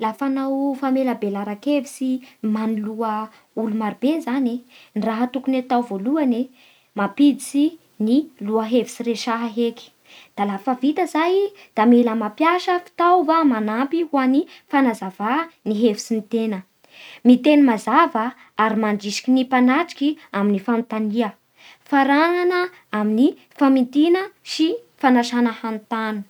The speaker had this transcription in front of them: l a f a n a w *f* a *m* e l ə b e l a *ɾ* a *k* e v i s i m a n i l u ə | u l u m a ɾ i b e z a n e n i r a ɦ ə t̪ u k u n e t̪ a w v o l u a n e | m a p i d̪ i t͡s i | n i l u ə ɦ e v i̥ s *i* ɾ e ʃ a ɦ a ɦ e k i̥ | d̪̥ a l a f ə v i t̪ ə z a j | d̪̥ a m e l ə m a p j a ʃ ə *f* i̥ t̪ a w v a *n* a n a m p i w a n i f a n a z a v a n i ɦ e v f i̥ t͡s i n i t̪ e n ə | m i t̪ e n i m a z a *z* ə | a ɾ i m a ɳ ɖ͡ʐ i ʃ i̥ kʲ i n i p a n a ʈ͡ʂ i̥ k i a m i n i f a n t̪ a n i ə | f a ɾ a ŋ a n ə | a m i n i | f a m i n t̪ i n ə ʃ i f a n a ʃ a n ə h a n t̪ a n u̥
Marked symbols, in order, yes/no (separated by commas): yes, yes, yes, yes, yes, yes, no, no